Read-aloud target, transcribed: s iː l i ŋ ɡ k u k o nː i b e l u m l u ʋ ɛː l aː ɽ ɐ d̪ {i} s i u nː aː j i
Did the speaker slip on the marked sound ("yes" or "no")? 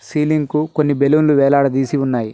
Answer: yes